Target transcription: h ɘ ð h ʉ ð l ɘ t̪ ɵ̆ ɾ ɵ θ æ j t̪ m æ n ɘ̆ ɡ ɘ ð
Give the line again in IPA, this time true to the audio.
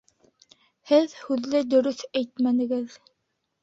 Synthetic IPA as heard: h ɘ ð h ʉ ð l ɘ d̪ ɵ̆ ɾ ɵ θ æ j t̪ m æ n ɘ̆ ɡ ɘ ð